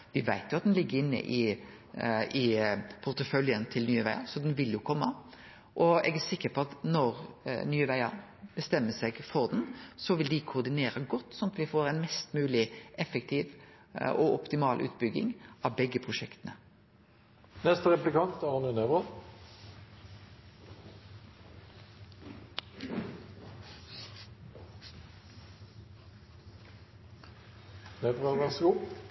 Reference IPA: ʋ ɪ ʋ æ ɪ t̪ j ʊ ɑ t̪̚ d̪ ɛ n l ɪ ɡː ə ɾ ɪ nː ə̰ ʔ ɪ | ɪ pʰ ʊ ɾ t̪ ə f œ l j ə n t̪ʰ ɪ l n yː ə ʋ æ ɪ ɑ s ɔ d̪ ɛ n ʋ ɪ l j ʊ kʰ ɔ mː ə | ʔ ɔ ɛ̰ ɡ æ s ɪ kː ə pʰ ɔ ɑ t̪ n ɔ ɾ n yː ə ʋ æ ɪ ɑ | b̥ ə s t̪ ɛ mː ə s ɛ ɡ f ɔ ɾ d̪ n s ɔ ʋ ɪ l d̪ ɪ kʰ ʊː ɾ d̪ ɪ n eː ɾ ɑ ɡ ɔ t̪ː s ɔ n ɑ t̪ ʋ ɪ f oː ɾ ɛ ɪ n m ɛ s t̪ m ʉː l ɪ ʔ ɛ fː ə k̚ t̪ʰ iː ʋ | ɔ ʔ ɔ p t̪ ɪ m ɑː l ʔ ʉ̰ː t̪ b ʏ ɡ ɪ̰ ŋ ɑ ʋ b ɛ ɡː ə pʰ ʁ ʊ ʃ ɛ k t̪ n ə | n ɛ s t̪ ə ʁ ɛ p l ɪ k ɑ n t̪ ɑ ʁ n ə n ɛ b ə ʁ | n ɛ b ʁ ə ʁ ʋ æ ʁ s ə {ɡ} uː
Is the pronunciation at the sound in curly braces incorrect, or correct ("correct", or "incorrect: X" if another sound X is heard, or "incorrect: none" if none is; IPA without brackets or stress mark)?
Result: correct